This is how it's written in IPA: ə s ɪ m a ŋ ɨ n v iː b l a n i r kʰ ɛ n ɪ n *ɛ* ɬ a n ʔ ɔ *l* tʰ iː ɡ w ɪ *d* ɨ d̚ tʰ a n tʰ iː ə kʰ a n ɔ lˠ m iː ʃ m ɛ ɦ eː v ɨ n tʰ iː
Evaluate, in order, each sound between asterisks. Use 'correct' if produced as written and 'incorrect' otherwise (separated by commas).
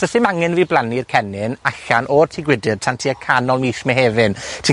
incorrect, incorrect, correct